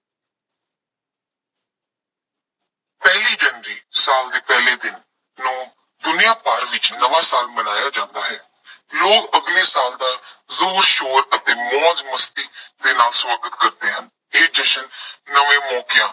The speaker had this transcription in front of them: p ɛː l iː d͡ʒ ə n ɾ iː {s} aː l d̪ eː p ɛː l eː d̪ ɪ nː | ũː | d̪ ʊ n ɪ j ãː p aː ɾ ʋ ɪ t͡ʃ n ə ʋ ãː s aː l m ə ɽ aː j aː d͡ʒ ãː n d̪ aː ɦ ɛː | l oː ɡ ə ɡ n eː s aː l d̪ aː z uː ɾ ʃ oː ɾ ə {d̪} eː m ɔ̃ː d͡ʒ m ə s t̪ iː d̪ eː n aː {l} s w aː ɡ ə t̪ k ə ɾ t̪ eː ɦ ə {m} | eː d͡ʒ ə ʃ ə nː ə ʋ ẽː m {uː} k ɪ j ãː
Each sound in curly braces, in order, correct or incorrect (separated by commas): correct, incorrect, correct, incorrect, incorrect